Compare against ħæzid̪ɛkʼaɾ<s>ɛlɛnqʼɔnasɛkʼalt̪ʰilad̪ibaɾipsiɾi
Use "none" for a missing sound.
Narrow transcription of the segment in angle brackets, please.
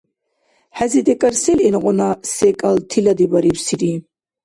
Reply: s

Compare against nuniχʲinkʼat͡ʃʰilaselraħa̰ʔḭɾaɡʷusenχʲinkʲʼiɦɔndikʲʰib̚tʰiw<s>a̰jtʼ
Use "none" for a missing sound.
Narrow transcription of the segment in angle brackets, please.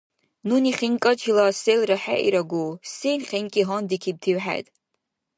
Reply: ħ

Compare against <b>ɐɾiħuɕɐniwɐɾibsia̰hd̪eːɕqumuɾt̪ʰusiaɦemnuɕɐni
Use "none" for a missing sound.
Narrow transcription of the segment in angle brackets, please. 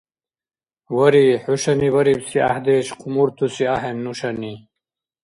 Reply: w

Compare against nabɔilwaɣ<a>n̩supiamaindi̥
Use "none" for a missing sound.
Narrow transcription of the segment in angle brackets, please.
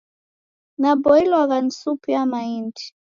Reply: a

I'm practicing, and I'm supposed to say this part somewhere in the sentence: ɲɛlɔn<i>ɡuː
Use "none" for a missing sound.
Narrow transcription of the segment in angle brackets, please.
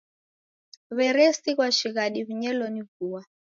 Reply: i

